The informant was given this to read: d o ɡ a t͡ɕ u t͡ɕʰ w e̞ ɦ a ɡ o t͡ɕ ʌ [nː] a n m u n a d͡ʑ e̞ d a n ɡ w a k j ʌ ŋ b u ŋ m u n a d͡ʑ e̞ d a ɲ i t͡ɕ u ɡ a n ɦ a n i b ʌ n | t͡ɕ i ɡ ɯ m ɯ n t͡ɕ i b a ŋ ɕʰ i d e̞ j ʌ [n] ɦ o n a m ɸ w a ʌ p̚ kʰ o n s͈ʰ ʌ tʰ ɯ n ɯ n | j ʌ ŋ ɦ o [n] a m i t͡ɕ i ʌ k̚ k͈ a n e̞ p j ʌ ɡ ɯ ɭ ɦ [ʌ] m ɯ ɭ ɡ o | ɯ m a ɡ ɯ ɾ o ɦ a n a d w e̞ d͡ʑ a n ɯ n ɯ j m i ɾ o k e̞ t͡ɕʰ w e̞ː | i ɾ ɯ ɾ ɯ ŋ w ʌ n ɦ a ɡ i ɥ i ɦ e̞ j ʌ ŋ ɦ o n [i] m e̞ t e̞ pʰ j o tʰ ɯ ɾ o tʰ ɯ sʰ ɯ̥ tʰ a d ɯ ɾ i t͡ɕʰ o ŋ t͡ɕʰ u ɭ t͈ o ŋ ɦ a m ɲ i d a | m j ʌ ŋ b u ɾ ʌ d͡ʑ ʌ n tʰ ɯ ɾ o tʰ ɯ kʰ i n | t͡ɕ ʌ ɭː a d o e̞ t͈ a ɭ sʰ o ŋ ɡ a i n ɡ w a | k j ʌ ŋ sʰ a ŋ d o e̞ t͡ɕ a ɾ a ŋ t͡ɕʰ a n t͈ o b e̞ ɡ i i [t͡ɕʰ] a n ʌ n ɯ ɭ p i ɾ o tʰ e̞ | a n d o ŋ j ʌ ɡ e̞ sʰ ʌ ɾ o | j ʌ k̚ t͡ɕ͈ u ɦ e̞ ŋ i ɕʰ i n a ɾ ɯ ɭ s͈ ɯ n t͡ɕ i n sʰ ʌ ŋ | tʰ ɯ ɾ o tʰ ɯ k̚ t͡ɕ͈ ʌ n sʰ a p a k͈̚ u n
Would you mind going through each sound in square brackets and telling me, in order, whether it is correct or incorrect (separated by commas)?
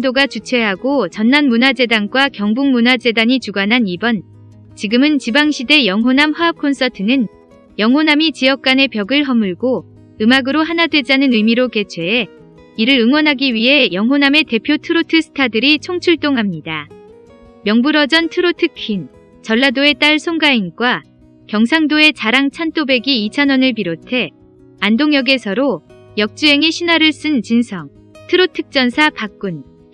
correct, incorrect, correct, correct, incorrect, correct